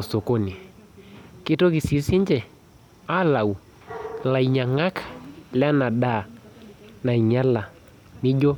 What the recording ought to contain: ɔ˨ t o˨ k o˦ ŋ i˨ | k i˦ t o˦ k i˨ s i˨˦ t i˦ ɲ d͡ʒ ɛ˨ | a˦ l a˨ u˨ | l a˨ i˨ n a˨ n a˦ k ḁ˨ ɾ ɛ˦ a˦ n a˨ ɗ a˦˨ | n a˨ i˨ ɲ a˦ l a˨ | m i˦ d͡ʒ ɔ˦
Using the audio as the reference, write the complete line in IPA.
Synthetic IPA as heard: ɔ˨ s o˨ k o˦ n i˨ | k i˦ t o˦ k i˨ s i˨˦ s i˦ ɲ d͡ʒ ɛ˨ | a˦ l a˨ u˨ | l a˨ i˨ ɲ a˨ ŋ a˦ k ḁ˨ l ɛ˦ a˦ n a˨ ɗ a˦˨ | n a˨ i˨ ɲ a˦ l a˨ | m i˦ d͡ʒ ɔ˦